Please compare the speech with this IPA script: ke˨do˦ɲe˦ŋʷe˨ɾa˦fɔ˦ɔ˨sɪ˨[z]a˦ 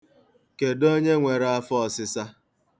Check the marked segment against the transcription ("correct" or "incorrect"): incorrect